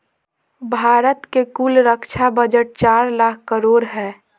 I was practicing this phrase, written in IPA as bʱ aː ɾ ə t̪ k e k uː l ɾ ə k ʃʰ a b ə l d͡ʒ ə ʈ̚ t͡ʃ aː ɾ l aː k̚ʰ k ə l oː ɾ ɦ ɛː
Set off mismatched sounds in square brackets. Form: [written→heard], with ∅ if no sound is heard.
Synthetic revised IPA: bʱ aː ɾ ə t̪ k e k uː l ɾ ə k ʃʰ a b ə [l→∅] d͡ʒ ə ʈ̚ t͡ʃ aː ɾ l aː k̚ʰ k ə [l→ɾ] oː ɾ ɦ ɛː